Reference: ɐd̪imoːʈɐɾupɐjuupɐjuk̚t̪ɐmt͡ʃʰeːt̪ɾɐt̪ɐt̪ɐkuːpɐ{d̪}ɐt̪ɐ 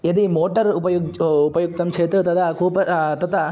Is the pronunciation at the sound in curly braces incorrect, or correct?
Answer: incorrect